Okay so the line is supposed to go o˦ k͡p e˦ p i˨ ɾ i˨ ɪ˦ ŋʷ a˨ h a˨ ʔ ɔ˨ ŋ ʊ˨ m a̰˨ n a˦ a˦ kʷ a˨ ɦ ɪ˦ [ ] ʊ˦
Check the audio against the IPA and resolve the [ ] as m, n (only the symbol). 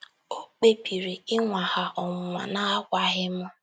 m